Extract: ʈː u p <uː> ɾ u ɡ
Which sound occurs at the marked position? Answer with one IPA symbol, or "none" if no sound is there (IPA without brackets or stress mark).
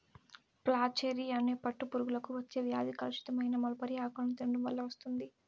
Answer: u